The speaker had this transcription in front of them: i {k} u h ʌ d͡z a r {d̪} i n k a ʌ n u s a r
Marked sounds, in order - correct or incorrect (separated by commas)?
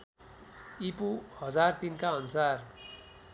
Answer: incorrect, incorrect